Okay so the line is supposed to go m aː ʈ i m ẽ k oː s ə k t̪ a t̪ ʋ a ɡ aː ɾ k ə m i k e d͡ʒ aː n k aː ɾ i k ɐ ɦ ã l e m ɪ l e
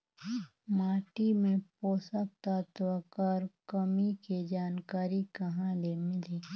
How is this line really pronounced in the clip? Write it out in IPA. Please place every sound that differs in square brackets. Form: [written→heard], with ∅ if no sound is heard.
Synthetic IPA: m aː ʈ i m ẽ [k→p] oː s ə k t̪ a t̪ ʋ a [ɡ→k] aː ɾ k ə m i k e d͡ʒ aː n k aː ɾ i k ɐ ɦ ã l e m ɪ l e